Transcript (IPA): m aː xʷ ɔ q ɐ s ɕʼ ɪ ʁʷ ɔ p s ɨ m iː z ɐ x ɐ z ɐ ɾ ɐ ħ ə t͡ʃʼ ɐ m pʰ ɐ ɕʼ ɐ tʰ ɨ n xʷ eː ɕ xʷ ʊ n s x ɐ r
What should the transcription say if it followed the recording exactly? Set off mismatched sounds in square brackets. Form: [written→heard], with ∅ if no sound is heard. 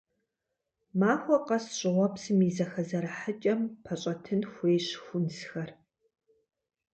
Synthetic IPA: m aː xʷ ɔ q ɐ s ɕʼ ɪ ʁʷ ɔ p s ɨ m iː z ɐ x ɐ z ɐ ɾ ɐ ħ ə t͡ʃʼ ɐ m pʰ ɐ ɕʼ ɐ tʰ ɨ n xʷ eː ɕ xʷ ʊ n s x ɐ r